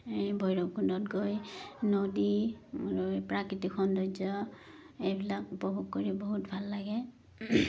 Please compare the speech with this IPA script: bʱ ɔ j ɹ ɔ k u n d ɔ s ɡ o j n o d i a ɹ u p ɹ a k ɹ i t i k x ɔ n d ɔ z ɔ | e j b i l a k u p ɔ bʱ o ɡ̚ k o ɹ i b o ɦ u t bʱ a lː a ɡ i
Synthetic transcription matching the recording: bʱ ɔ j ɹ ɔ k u n d ɔ t ɡ o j n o d i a ɹ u p ɹ a k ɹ i t i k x ɔ n d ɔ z ɔ | e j b i l a k u p ɔ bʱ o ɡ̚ k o ɹ i b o ɦ u t bʱ a lː a ɡ ɛ